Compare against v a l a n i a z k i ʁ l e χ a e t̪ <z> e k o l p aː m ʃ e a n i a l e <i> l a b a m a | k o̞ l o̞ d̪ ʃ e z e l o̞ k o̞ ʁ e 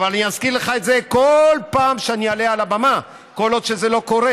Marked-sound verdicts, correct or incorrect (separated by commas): correct, incorrect